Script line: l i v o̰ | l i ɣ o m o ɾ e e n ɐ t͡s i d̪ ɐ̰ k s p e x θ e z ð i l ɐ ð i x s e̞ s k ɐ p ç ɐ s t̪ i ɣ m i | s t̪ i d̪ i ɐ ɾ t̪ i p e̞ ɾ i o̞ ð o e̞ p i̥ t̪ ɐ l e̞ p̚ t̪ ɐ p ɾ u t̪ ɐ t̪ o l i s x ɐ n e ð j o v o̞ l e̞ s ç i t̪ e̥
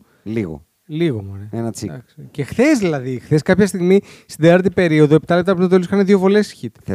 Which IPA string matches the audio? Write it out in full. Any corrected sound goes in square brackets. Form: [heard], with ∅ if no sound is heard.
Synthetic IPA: l i [ɣ] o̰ | l i ɣ o m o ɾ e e n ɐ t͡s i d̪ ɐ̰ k s [c] e x θ e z ð i l ɐ ð i x [θ] e̞ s k ɐ p ç ɐ s t̪ i ɣ m i | s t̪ i d̪ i ɐ ɾ t̪ i p e̞ ɾ i o̞ ð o e̞ p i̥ t̪ ɐ l e̞ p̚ t̪ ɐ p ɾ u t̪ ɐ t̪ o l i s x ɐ n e ð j o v o̞ l e̞ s ç i t̪ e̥